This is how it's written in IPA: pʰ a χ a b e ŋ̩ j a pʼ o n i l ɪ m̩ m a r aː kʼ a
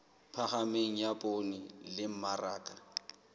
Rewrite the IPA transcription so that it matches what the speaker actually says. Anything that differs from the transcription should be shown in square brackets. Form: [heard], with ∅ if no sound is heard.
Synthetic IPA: pʰ a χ a [m] e ŋ̩ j a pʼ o n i l ɪ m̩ m a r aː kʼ a